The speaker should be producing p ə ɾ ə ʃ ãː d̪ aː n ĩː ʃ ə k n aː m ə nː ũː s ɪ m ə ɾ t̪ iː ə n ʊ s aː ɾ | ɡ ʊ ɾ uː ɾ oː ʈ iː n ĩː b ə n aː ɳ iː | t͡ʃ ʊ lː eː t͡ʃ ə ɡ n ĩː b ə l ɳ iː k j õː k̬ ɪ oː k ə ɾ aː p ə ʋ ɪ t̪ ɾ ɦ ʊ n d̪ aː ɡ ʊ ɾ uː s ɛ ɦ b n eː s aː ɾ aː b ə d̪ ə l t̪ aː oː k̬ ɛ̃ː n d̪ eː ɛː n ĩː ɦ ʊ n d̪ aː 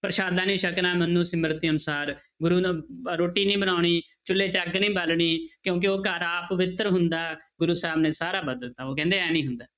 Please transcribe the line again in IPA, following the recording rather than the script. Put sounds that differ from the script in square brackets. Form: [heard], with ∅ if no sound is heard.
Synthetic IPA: p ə ɾ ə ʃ [aː] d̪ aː n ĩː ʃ ə k n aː m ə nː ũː s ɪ m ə ɾ t̪ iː ə n ʊ s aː ɾ | ɡ ʊ ɾ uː ɾ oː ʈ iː n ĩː b ə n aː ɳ iː | t͡ʃ ʊ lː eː t͡ʃ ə ɡ n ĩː b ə l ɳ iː k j õː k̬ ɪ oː k ə ɾ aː p ə ʋ ɪ t̪ ɾ ɦ ʊ n d̪ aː ɡ ʊ ɾ uː s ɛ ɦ b n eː s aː ɾ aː b ə d̪ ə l t̪ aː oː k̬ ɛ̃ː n d̪ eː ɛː n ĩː ɦ ʊ n d̪ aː